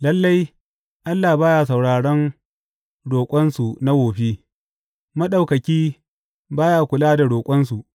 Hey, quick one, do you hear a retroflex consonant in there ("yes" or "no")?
yes